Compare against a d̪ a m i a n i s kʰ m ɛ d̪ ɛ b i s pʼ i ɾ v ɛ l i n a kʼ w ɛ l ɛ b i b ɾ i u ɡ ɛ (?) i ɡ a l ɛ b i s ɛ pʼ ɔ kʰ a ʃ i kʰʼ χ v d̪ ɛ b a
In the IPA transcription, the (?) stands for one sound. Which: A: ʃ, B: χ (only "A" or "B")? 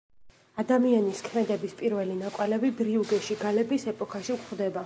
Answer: A